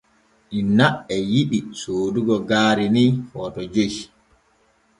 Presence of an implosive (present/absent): present